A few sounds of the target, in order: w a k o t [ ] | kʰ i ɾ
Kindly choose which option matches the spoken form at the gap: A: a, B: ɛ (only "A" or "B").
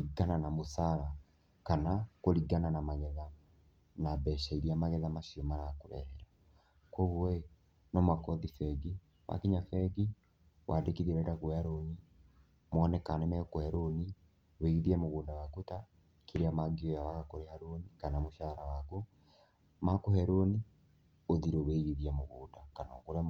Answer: A